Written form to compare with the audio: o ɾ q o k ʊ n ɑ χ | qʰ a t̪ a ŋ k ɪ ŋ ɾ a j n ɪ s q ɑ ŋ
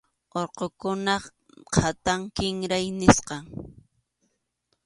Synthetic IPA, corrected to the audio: o ɾ q o k ʊ n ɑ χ | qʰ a t̪ a ŋ k ɪ ŋ ɾ a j n ɪ s q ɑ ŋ